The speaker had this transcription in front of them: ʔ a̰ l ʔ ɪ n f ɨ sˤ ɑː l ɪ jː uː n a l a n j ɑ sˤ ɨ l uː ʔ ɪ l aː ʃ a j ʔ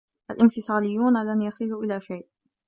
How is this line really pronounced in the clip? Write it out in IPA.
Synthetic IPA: ʔ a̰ l ʔ ɪ n f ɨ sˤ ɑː l ɪ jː uː n a l a n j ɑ sˤ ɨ l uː ʔ ɪ l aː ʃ a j ʔ